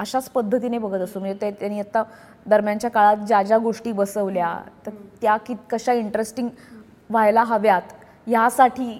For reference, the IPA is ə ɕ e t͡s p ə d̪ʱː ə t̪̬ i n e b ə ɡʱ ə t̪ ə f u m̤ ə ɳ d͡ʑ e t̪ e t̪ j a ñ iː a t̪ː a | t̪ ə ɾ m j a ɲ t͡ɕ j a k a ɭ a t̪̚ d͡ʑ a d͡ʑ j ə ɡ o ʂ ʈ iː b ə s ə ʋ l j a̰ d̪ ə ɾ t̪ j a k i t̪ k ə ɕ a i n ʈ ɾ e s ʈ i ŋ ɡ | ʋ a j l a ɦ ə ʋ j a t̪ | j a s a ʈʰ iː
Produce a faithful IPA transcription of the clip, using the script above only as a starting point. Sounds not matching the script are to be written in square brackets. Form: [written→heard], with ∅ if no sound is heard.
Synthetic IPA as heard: ə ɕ [e→a] t͡s p ə d̪ʱː ə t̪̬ i n e b ə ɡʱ ə t̪ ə [f→s] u m̤ ə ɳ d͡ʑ e t̪ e t̪ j a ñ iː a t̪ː a | [t̪→d̪] ə ɾ m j a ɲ t͡ɕ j a k a ɭ a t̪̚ d͡ʑ a d͡ʑ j [ə→a] ɡ o ʂ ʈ iː b ə s ə ʋ l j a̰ [d̪→t̪] ə ɾ t̪ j a k i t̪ k ə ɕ a i [n→ɳ] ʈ ɾ e s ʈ i ŋ ɡ | ʋ a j l a ɦ ə ʋ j a t̪ | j a s a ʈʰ iː